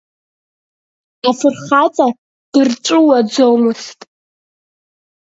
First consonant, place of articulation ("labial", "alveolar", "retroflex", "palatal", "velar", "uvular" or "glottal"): labial